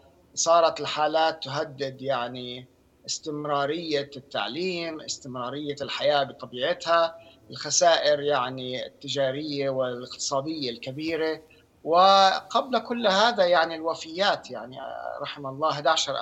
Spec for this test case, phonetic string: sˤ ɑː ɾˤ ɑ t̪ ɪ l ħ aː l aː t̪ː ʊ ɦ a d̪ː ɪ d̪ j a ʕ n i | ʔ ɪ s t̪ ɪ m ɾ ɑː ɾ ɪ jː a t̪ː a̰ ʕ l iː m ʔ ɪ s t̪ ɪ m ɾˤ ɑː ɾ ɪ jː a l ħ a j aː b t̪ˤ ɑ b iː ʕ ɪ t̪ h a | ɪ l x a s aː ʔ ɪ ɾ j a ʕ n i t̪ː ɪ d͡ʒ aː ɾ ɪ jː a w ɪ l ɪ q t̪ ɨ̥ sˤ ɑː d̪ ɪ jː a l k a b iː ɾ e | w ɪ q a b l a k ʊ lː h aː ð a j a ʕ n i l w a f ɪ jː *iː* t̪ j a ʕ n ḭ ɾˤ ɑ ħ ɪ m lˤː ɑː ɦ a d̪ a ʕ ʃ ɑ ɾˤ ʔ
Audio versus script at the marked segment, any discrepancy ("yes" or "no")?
yes